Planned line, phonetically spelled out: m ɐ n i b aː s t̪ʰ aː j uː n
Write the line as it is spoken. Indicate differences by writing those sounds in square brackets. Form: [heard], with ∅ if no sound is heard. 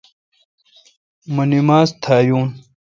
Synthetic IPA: m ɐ n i [m] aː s t̪ʰ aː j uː n